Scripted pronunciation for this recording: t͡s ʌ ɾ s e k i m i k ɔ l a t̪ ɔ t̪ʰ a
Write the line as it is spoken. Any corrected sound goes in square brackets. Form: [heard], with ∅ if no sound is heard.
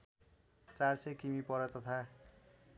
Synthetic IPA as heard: t͡s [a] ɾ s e k i m i [p] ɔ [ɾ] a t̪ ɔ t̪ʰ a